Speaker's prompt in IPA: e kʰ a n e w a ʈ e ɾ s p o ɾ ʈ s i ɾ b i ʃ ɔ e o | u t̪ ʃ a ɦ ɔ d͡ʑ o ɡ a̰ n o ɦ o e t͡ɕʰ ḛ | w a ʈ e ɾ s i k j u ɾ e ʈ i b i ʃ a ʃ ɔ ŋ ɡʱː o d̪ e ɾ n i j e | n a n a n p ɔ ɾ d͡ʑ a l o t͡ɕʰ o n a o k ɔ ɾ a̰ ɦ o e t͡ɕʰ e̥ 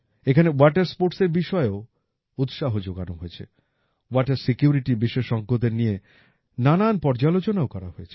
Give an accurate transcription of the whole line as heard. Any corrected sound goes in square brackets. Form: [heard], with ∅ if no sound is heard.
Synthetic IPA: e kʰ a n e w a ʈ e ɾ s p o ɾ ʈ s [e] ɾ b i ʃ ɔ e o | u t̪ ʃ a ɦ [o] d͡ʑ o ɡ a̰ n o ɦ o e t͡ɕʰ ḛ | w a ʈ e ɾ s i k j u ɾ [i] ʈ i b i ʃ [e] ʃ ɔ ŋ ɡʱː o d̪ e ɾ n i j e | n a n a n p ɔ ɾ d͡ʑ a l o [t͡ɕ] o n a o k ɔ ɾ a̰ ɦ o e t͡ɕʰ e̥